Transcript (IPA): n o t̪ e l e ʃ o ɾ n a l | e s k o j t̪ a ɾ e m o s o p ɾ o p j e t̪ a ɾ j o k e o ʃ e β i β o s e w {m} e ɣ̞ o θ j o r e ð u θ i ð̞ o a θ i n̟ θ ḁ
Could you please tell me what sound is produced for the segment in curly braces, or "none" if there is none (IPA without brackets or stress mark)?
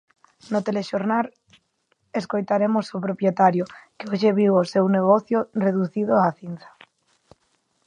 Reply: n